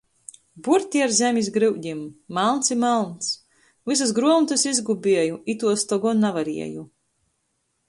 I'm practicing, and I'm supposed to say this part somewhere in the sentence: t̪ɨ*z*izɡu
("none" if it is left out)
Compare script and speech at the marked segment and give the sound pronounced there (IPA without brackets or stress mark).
s